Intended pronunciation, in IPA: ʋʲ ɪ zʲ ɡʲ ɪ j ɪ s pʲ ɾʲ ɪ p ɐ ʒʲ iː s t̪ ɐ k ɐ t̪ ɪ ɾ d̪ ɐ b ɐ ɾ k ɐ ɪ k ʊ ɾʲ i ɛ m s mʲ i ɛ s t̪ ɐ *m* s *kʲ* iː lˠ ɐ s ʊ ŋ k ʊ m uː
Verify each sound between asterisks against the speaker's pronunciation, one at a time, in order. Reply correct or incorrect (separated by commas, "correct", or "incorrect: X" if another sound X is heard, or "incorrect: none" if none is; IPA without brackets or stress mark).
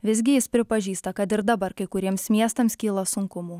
correct, correct